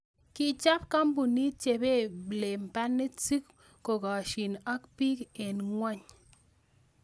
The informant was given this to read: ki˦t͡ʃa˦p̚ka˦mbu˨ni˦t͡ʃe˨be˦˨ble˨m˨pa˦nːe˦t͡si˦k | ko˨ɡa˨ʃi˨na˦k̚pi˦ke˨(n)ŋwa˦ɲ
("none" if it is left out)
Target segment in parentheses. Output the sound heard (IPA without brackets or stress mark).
n